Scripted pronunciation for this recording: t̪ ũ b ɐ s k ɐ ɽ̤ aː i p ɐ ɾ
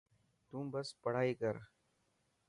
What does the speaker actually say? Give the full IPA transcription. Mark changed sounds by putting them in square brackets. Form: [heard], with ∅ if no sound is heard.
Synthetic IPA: t̪ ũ b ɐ s [p] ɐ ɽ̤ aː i [k] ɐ ɾ